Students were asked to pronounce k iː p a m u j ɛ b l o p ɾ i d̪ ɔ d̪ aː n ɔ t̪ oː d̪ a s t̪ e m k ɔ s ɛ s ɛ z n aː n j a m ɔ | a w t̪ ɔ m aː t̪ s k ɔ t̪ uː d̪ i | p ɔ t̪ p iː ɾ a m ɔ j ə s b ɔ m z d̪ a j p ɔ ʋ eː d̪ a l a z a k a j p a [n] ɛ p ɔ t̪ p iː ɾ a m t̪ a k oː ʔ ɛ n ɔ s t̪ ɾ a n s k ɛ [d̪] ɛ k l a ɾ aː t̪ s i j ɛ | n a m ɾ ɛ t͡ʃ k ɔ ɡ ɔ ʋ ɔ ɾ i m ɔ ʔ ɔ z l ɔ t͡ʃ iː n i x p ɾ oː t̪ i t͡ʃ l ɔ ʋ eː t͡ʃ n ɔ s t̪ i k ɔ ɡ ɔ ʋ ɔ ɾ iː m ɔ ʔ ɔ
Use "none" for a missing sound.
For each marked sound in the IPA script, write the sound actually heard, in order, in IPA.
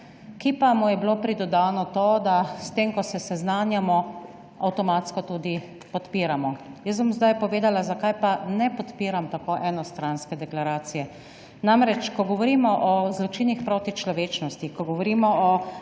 n, d̪

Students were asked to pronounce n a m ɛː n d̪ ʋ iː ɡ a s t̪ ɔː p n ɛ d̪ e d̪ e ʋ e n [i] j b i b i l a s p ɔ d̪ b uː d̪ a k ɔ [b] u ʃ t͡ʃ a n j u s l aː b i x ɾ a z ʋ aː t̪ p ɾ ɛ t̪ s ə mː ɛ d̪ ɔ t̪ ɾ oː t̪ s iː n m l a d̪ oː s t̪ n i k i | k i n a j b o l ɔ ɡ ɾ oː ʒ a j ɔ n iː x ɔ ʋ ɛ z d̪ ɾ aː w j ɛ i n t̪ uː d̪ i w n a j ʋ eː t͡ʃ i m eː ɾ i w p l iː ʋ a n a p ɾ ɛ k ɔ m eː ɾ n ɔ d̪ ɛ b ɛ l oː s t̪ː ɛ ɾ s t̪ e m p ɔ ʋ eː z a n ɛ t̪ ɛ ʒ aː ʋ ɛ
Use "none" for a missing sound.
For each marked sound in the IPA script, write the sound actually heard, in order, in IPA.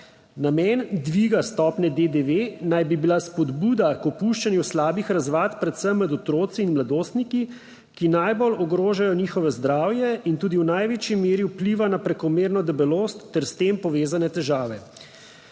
a, p

